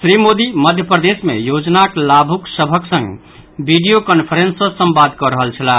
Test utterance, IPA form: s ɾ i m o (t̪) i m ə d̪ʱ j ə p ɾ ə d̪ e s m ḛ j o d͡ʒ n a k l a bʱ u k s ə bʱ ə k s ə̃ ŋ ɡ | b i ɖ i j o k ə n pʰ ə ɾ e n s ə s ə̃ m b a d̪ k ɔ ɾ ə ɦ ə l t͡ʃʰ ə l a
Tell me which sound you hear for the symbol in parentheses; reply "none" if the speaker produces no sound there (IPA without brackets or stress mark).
d̪